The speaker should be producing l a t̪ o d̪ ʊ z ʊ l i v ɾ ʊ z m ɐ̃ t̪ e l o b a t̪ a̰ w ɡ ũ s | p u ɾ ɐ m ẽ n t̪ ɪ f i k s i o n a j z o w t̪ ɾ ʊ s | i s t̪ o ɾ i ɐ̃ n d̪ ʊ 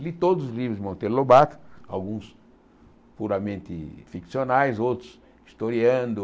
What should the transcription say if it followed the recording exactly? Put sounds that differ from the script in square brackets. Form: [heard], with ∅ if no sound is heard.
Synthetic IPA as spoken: l [i] t̪ o d̪ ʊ z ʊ l i v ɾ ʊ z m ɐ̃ t̪ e l o b a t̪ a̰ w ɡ ũ s | p u ɾ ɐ m ẽ n t̪ ɪ f i k s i o n a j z o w t̪ ɾ ʊ s | i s t̪ o ɾ i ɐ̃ n d̪ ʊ